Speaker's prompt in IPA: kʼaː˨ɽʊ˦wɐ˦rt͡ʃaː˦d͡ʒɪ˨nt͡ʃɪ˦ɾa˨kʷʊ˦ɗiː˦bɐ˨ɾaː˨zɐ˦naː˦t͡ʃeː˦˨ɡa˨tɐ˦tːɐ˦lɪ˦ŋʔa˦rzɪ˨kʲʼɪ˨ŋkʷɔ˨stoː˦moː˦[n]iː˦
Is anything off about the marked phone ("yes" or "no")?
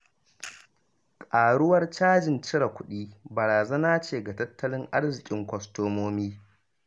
yes